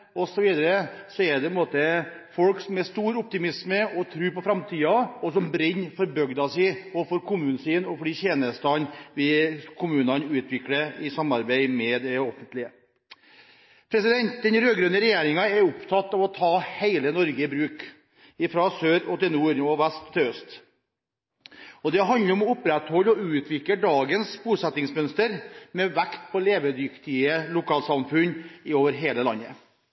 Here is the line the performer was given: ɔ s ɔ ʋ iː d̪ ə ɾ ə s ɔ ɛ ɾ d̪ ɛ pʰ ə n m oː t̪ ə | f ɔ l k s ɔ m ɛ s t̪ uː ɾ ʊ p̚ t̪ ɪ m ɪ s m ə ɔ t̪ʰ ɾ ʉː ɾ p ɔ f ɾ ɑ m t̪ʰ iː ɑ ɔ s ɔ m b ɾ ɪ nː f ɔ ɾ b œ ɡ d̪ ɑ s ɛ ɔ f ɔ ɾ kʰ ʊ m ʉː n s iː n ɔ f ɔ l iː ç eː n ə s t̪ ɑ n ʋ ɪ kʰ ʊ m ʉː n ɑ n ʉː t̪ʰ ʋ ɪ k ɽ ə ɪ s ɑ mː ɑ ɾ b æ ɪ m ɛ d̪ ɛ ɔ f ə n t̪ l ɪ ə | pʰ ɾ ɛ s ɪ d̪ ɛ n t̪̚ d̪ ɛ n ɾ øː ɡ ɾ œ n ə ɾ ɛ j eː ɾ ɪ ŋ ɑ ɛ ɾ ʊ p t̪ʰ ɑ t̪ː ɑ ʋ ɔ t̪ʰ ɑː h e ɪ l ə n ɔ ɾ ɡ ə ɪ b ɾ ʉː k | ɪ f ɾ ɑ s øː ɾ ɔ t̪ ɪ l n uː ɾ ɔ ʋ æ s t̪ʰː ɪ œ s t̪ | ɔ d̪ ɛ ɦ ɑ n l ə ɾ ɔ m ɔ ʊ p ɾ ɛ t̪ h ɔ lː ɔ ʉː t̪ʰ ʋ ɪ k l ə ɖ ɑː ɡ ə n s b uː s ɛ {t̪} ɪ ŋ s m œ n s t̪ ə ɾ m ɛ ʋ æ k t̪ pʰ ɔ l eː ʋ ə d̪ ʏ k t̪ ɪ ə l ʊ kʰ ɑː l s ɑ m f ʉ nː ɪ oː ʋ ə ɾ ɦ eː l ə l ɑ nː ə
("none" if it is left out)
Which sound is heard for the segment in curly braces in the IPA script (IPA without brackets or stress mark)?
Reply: t̪